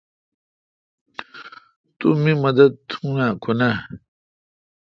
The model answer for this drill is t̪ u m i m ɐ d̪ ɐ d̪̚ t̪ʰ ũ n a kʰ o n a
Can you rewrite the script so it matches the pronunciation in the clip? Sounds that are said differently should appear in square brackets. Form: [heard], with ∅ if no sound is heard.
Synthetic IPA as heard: t̪ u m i m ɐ d̪ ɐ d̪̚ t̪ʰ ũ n a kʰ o n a